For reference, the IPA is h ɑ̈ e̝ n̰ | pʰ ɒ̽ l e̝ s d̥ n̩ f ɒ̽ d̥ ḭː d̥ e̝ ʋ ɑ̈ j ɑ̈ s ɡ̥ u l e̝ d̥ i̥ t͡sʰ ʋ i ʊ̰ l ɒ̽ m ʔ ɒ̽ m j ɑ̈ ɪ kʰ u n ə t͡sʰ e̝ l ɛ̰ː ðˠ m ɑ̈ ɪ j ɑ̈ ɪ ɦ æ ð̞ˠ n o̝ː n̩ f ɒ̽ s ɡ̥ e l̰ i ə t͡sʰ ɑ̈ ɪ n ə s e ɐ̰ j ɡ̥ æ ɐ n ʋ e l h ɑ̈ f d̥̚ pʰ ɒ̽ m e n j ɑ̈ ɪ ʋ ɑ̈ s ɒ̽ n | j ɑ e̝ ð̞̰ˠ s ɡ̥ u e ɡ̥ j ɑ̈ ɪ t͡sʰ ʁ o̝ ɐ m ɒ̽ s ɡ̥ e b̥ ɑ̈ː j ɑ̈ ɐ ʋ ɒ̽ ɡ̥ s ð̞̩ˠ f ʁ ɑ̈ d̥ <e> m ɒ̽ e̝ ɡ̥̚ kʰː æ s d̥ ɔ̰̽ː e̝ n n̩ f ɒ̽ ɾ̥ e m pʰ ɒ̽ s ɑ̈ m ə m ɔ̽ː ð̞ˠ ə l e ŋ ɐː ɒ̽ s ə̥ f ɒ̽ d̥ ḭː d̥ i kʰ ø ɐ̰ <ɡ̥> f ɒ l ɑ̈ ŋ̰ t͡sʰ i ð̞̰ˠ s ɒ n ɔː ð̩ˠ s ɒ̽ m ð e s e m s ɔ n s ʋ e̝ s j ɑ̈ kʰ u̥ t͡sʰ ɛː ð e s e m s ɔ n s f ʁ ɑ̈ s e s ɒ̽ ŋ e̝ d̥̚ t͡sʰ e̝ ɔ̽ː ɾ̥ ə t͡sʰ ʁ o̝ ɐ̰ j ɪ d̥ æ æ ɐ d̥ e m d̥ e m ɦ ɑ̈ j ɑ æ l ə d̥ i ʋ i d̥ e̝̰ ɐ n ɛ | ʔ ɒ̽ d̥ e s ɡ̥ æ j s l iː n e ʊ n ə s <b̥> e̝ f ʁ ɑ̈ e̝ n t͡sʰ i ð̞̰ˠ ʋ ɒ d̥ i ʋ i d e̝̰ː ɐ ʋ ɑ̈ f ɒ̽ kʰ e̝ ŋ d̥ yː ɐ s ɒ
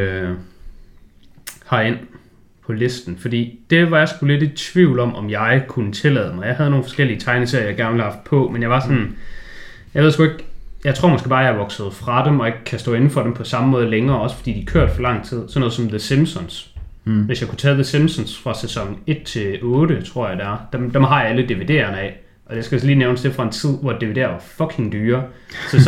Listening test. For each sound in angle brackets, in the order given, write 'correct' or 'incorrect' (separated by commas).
correct, incorrect, incorrect